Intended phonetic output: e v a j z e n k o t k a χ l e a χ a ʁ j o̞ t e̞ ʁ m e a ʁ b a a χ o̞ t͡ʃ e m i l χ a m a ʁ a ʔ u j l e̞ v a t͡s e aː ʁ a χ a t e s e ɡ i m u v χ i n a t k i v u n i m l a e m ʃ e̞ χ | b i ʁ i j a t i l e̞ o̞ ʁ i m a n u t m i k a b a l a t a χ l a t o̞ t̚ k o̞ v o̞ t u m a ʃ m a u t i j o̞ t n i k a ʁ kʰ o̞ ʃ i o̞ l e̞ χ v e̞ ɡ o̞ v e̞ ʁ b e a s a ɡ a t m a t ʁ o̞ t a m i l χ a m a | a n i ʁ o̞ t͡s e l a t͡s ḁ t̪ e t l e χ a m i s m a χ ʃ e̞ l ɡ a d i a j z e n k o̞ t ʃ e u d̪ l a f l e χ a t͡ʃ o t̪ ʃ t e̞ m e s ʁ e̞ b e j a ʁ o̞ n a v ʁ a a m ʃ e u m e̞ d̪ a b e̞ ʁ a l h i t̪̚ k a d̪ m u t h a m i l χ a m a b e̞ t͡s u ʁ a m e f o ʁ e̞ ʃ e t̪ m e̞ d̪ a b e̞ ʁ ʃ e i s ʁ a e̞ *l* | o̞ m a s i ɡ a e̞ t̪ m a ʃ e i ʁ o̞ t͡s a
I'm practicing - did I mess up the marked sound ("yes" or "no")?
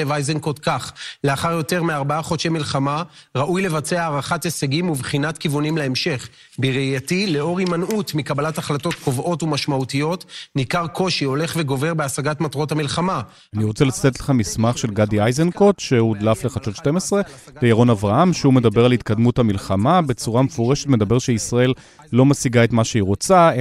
yes